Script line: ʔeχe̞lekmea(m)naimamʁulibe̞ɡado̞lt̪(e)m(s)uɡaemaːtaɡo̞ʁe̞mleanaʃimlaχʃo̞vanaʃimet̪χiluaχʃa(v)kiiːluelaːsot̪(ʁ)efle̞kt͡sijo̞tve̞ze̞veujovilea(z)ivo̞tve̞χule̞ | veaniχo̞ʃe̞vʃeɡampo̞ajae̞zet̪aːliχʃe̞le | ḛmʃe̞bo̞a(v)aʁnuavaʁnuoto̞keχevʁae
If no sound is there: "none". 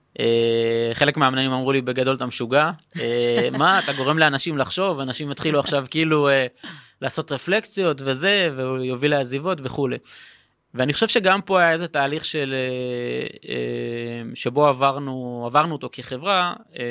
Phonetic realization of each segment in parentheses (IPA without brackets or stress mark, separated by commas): m, a, ʃ, v, ʁ, z, v